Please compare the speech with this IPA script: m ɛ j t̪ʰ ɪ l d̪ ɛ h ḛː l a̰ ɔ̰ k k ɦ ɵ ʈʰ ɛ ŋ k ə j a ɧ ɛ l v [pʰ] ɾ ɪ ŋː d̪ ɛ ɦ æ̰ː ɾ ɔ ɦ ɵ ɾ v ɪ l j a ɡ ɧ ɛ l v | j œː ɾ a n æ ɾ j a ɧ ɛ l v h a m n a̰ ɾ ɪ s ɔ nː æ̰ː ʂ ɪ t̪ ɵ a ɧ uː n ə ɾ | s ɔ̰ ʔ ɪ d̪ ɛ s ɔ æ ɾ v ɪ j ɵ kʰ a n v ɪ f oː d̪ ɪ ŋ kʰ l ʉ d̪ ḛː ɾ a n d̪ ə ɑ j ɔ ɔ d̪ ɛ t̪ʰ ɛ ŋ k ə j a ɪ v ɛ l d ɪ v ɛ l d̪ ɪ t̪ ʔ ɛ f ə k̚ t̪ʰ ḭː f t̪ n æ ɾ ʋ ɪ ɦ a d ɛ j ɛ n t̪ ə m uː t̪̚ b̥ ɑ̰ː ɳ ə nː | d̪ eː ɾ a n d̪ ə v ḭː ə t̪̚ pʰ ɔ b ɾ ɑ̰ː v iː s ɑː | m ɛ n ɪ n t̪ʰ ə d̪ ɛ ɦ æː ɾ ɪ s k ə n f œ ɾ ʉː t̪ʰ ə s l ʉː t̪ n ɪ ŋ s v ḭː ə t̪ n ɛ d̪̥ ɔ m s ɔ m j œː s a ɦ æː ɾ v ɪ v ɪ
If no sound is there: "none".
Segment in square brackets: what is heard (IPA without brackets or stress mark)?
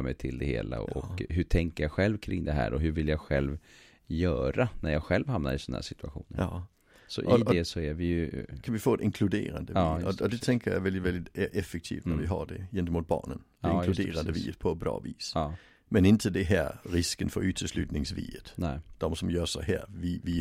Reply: kʰ